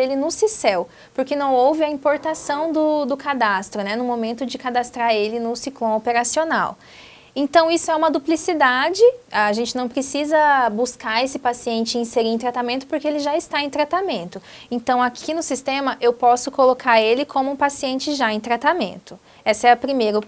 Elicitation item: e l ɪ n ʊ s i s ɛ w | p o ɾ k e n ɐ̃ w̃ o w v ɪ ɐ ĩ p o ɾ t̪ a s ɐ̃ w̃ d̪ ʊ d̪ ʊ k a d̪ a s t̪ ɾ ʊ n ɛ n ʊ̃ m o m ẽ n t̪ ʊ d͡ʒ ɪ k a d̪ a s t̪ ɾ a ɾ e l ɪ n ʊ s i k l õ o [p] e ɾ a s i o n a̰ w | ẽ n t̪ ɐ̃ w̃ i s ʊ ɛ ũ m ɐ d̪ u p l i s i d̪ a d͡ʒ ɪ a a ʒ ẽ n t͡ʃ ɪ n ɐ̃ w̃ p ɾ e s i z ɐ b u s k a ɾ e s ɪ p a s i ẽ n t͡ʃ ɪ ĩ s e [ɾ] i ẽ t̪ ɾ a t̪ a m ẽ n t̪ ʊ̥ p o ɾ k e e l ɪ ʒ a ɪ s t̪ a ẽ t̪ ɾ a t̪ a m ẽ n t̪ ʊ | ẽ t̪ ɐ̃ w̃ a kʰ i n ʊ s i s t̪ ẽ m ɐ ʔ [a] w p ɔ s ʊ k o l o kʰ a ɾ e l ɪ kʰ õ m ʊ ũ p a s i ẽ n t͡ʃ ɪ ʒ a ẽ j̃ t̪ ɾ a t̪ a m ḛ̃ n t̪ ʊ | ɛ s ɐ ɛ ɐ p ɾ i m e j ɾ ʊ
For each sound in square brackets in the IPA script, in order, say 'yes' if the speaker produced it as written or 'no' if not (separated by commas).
yes, yes, no